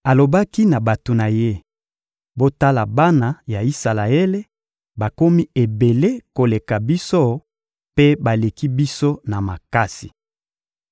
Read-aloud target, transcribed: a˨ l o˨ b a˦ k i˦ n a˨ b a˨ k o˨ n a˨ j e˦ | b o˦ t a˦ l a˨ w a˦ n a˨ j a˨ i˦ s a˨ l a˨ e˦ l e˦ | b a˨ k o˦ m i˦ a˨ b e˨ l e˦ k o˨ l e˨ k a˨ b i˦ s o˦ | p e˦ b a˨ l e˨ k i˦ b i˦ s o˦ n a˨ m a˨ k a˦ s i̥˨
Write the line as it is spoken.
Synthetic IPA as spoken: a˨ l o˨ b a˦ k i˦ n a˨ b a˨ t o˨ n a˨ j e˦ | b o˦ t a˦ l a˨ b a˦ n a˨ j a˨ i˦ s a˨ l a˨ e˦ l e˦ | b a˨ k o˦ m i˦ e˨ b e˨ l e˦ k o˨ l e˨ k a˨ b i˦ s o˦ | p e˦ b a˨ l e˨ k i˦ b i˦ s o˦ n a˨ m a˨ k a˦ s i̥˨